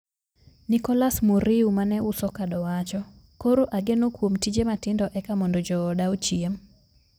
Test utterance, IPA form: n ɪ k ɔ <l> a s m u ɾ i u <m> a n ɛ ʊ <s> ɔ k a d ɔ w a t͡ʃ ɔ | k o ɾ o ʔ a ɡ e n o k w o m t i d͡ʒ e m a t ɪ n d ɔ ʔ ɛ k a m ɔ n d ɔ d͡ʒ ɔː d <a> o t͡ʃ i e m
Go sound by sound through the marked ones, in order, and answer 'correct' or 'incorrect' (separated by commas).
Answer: correct, correct, correct, correct